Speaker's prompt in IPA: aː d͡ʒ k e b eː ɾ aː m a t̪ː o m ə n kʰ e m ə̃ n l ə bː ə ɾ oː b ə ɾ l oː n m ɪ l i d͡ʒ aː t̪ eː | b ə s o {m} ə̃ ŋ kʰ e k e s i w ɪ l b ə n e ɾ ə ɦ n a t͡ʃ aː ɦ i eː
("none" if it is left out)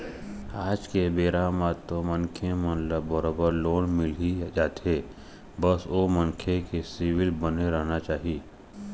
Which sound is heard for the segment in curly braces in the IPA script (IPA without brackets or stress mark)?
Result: m